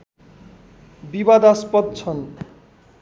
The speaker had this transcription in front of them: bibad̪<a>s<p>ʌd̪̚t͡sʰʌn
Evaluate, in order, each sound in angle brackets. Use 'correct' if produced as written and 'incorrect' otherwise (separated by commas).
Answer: correct, correct